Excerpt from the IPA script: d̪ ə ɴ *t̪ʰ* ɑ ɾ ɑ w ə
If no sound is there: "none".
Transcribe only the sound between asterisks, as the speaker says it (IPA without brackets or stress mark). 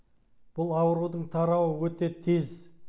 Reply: t̪ʰ